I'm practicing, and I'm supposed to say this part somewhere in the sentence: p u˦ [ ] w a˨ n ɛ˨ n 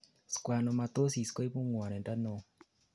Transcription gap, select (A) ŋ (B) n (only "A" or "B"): A